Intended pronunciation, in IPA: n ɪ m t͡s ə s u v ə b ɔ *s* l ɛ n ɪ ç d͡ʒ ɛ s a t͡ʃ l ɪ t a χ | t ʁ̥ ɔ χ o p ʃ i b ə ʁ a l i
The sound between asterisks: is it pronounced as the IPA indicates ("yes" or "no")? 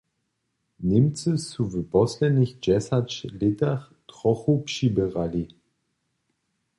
yes